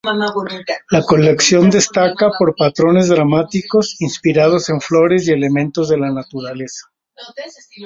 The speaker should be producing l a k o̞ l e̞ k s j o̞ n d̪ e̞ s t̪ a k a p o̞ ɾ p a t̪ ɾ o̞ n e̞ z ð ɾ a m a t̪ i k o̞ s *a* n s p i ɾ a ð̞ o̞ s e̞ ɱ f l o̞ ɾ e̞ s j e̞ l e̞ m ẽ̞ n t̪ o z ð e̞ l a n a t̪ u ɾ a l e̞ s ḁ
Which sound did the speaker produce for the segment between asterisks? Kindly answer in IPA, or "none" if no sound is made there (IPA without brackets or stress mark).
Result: i